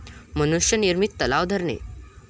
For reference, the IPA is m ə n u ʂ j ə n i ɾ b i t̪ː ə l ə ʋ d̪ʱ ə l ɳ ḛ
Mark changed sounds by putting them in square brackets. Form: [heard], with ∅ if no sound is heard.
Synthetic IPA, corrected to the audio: m ə n u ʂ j ə n i ɾ [m] i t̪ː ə l [a] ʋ d̪ʱ ə [ɾ] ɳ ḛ